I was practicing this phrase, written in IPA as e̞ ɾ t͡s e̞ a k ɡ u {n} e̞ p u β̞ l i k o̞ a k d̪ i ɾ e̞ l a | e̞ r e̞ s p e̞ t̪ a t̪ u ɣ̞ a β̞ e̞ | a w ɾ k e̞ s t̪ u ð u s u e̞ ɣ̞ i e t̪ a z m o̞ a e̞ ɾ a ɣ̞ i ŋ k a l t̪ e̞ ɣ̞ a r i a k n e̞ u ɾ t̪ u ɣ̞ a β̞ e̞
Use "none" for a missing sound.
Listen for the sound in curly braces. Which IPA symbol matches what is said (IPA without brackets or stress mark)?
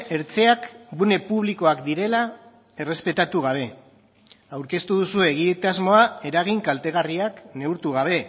n